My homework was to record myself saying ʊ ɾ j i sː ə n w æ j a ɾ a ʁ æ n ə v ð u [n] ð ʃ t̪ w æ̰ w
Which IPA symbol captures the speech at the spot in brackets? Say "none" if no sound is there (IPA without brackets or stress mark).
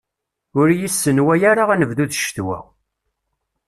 none